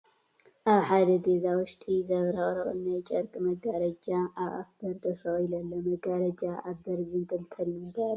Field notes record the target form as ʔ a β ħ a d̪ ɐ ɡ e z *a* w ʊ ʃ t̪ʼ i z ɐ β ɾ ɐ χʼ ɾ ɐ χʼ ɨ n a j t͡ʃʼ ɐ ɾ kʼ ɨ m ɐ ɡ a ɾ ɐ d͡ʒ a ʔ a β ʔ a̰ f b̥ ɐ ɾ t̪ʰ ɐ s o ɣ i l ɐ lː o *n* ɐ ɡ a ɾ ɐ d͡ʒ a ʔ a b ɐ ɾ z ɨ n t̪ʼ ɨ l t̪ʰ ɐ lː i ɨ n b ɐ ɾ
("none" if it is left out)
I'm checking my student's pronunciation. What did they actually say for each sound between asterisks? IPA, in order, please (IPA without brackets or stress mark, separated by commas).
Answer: a, m